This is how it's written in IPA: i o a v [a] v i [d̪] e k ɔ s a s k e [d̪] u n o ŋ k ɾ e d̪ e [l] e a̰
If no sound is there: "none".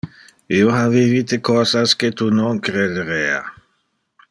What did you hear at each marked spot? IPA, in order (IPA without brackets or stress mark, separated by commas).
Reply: i, t̪, t̪, ɾ